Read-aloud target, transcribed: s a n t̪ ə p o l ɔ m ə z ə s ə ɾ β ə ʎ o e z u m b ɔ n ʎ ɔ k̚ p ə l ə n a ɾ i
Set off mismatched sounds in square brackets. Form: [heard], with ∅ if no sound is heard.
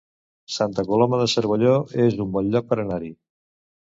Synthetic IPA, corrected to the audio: s a n t̪ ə [k] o l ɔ m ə [ð] ə s ə ɾ β ə ʎ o e z u m b ɔ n ʎ ɔ k̚ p ə [ɾ] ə n a ɾ i